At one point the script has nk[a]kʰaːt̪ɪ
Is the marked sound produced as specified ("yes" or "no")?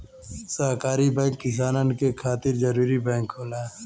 no